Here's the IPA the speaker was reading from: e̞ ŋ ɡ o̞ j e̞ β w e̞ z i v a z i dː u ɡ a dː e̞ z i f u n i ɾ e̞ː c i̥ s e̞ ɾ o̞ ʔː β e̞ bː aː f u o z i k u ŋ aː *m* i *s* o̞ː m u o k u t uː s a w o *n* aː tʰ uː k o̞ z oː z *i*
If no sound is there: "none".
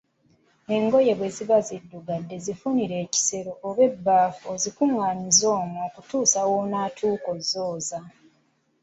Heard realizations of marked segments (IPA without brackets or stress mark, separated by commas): ɲ, z, n, a